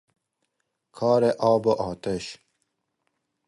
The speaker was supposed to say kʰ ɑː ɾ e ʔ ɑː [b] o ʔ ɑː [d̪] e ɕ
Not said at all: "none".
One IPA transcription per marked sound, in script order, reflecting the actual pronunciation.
b, t̪

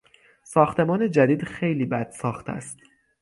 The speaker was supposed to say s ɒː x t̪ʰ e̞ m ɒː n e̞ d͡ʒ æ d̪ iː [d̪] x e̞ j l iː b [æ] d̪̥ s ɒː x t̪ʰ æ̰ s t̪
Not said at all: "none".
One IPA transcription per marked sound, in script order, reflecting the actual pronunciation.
d̪, æ

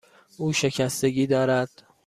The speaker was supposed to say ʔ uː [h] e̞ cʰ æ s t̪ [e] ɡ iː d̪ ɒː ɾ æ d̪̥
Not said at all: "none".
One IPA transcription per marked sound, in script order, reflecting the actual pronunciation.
ʃ, e

